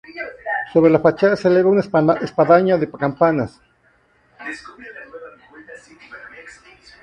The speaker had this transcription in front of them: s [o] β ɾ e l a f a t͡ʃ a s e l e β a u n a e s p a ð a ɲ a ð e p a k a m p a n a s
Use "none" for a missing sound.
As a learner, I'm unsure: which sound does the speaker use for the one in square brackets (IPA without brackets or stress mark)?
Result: o